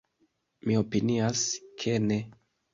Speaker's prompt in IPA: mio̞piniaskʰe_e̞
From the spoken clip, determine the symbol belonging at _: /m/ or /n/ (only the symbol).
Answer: n